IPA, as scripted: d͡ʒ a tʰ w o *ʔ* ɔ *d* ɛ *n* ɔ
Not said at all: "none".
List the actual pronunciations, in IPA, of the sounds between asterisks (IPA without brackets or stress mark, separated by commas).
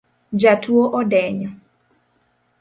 ʔ, d, ɲ